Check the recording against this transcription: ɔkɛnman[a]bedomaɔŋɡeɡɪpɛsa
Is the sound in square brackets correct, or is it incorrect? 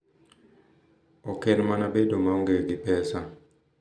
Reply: correct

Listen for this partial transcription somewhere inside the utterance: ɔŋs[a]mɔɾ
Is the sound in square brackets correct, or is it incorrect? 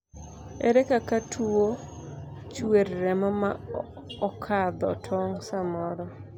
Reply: correct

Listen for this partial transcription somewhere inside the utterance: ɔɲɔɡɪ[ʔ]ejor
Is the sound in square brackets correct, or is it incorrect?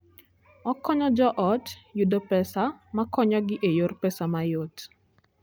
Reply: correct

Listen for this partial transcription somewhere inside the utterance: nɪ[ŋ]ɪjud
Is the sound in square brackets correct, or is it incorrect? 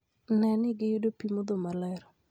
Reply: incorrect: ɡ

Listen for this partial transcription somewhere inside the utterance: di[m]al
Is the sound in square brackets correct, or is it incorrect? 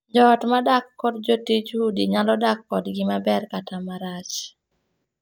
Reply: incorrect: ɲ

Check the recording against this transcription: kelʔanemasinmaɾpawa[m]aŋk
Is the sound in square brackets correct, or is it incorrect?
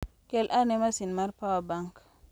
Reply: incorrect: b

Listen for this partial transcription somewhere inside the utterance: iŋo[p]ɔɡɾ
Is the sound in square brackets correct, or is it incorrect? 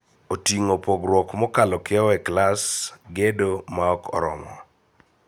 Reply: correct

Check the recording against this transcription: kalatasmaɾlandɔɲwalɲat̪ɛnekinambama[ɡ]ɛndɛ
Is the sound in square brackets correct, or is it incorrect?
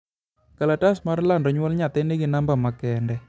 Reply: incorrect: k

